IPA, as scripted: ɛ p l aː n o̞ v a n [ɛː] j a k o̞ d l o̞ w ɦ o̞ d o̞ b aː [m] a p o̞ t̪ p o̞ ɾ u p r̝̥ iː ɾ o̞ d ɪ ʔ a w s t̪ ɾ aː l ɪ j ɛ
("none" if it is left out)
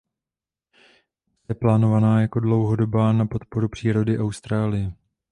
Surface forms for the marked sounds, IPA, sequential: aː, n

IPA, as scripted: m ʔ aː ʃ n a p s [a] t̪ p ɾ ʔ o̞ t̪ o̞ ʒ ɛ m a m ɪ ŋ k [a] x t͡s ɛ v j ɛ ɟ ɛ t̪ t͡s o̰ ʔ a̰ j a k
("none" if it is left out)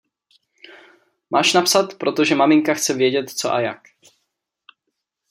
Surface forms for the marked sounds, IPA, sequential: a, a

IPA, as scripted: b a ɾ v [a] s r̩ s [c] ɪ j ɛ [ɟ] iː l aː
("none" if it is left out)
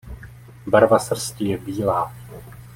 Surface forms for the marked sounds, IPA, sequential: a, c, b

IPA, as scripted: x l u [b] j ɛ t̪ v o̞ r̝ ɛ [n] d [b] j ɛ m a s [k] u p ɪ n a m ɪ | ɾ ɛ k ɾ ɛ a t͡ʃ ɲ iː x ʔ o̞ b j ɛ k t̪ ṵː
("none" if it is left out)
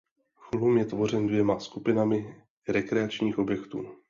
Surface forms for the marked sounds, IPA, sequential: m, n, v, k

